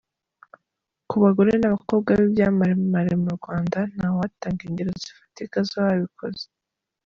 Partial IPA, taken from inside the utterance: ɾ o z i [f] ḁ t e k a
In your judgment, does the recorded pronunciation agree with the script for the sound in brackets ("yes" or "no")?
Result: yes